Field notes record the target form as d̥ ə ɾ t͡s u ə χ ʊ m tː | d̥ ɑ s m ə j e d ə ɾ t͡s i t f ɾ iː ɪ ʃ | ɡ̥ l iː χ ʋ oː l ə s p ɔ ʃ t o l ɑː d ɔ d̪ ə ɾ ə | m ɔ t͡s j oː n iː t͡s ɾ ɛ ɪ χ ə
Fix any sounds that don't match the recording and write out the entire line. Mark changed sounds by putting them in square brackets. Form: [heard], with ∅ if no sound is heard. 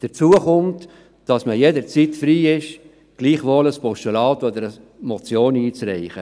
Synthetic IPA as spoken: d̥ ə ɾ t͡s u ə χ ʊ m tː | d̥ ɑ s m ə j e d ə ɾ t͡s i t f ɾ iː ɪ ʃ | ɡ̥ l iː χ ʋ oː l ə s p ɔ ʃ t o l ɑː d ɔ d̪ ə ɾ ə | m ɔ t͡s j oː n iː t͡s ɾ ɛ ɪ χ ə